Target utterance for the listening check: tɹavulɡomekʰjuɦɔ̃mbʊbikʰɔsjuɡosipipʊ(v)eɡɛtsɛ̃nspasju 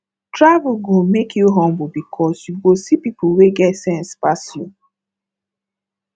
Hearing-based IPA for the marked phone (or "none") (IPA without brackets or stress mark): w